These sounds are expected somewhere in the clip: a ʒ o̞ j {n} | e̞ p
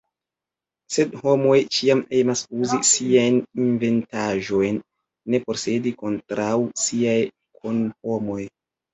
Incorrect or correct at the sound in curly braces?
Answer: incorrect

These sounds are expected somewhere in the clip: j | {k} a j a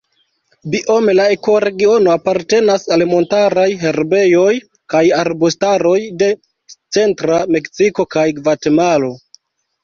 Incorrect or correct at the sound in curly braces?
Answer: correct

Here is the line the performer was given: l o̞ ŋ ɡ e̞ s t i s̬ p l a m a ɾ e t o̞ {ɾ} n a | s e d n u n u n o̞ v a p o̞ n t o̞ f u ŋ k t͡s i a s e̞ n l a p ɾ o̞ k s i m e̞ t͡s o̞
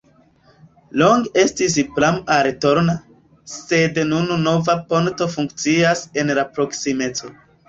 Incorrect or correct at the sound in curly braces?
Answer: correct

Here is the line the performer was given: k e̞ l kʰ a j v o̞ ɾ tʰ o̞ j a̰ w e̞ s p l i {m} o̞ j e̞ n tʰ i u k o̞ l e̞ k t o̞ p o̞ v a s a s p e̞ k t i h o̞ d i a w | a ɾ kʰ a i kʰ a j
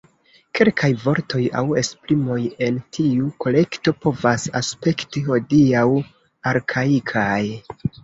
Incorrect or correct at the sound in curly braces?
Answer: correct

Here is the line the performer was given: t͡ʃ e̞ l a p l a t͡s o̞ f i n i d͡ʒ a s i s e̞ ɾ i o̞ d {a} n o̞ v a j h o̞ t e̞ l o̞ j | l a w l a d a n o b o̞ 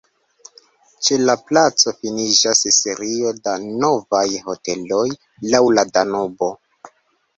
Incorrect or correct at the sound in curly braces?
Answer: correct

